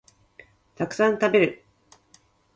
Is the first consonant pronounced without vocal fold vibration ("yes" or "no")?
yes